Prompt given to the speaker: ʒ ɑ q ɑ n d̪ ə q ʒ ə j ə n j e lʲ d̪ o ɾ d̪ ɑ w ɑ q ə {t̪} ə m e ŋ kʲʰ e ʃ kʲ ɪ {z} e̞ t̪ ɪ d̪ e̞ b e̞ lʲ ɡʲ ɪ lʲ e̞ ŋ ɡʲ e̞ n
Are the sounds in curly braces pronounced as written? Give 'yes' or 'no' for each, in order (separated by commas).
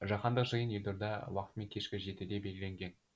yes, no